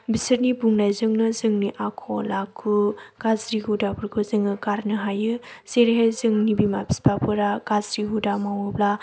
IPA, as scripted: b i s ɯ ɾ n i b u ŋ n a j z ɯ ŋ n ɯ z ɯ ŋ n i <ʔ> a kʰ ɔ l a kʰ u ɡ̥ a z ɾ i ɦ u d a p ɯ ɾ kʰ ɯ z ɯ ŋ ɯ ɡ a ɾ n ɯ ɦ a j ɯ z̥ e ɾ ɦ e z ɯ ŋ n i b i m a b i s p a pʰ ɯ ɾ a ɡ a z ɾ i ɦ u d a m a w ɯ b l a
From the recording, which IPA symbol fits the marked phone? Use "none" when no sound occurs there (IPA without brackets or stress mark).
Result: ʔ